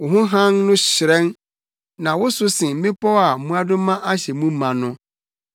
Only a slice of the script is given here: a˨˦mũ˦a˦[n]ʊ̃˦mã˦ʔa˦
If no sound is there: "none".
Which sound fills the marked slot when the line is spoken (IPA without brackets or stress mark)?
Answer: d